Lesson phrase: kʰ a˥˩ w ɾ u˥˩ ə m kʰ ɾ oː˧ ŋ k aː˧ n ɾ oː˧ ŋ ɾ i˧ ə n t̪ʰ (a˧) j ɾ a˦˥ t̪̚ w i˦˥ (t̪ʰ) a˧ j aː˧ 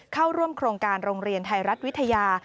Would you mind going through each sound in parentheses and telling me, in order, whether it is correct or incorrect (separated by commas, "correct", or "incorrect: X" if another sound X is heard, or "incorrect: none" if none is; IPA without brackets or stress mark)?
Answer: correct, correct